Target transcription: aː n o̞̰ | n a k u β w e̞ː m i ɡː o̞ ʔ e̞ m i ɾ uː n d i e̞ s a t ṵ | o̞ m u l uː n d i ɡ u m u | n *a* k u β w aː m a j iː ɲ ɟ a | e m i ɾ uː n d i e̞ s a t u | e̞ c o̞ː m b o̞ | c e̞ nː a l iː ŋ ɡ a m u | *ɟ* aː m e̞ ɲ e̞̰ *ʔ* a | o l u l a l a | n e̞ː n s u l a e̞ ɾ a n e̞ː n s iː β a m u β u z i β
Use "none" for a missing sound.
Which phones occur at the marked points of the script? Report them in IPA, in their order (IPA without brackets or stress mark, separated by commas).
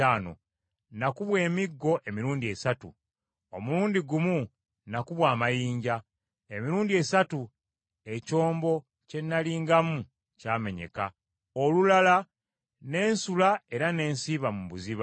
a, c, k